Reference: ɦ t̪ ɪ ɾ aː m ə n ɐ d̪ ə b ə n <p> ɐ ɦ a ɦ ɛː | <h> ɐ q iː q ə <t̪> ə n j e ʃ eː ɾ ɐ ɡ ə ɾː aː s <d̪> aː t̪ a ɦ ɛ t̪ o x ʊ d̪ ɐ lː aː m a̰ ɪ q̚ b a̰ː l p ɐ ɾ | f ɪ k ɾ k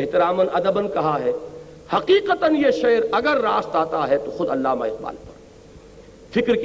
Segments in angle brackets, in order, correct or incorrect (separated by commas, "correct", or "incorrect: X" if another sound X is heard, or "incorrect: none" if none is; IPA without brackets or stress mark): incorrect: k, correct, correct, incorrect: t̪